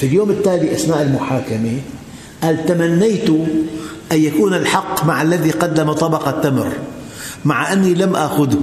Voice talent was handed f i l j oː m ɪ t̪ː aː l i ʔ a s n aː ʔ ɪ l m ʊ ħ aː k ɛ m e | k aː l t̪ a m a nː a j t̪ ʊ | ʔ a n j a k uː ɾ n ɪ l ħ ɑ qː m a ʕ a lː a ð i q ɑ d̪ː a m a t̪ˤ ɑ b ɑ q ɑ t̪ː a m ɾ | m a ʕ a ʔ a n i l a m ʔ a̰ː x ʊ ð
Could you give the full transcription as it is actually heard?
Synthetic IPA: f i l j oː m ɪ t̪ː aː l i ʔ a s n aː ʔ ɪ l m ʊ ħ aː k a m e | ʔ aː l t̪ a m a nː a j t̪ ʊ | ʔ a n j a k uː n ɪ l ħ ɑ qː m a ʕ a lː a ð i q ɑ d̪ː a m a t̪ˤ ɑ b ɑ q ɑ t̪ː a m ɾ | m a ʕ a ʔ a nː i l a m ʔ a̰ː x ʊ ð